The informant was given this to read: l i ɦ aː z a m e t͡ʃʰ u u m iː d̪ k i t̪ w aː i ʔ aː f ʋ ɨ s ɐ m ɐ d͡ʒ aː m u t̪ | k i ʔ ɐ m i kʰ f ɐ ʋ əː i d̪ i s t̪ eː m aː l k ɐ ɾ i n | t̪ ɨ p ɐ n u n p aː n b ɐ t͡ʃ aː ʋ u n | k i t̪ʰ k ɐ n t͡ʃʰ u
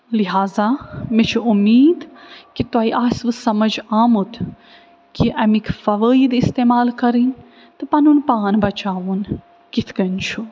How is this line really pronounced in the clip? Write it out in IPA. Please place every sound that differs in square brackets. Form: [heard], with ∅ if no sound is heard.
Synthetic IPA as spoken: l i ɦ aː z a m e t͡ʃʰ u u m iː d̪ k i t̪ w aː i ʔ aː [s] ʋ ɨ s ɐ m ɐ d͡ʒ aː m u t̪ | k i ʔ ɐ m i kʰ f ɐ ʋ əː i d̪ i s t̪ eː m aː l k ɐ ɾ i n | t̪ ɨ p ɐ n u n p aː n b ɐ t͡ʃ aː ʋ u n | k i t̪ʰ k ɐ n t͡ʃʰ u